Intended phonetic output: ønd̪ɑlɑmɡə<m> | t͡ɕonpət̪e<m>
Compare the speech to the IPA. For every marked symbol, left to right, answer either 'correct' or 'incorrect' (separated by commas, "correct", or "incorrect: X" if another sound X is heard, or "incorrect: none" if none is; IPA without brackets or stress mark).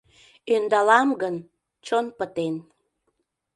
incorrect: n, incorrect: n